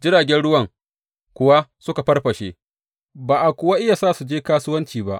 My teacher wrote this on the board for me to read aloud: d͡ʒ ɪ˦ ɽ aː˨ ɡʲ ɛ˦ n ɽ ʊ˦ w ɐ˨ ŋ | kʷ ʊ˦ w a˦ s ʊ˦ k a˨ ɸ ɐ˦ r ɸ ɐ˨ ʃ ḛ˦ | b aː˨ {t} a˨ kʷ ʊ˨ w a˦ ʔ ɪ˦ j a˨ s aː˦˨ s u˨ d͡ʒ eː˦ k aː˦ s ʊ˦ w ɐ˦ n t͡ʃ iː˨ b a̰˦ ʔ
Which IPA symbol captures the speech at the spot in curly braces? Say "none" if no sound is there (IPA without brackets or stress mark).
ʔ